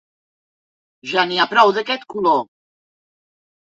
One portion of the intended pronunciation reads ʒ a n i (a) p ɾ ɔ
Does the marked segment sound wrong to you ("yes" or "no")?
no